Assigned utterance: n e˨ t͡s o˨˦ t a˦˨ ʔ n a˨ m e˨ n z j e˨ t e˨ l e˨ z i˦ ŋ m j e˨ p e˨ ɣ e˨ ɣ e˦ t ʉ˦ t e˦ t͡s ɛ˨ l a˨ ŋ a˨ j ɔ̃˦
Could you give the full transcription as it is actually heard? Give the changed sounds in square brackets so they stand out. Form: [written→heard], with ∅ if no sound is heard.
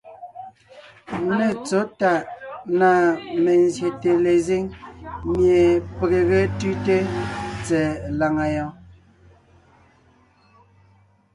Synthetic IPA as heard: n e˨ t͡s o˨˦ t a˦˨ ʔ n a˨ m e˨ n z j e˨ t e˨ l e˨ z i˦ ŋ m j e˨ p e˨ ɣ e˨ ɣ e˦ t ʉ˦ t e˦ t͡s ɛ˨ l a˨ ŋ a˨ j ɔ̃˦